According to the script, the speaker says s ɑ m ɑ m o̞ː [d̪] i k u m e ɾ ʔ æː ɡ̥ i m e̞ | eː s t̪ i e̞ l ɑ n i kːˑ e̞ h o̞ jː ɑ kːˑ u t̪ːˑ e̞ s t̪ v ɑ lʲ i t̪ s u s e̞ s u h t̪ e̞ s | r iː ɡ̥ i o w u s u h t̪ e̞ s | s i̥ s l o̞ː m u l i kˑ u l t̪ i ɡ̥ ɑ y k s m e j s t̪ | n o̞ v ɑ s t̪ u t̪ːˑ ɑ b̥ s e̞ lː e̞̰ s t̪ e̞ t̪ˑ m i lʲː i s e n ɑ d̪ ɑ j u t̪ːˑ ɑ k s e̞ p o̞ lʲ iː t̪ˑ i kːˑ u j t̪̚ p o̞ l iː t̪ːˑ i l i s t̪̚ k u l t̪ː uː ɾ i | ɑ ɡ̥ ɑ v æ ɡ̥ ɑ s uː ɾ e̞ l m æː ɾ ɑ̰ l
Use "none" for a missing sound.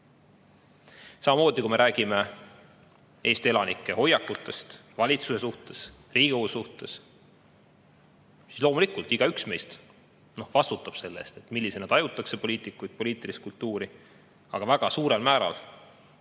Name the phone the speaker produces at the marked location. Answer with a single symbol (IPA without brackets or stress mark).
d̪